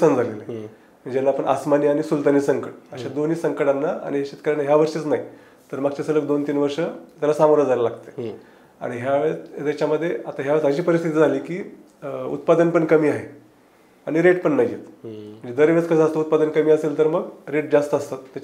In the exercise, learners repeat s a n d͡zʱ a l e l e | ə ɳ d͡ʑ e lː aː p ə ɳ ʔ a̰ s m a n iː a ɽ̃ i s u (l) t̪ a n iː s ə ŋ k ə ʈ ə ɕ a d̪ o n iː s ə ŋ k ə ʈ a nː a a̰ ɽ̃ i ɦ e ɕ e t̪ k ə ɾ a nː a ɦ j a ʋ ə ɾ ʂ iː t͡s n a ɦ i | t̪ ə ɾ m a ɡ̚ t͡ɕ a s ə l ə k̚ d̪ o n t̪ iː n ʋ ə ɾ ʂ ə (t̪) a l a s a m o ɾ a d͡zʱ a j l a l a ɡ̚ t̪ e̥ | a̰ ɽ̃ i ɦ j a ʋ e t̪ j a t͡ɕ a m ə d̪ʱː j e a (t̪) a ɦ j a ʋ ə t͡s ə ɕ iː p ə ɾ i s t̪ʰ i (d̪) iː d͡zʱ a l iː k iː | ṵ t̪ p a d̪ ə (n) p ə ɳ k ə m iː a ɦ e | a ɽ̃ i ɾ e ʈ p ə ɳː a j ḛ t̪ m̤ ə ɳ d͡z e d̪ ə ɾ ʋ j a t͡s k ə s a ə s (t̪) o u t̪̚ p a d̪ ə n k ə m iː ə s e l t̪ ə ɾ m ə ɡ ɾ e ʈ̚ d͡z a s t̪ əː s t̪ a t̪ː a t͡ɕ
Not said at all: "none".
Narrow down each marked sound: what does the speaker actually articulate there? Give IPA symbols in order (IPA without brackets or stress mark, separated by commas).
l, t̪, t̪, t̪, n, t̪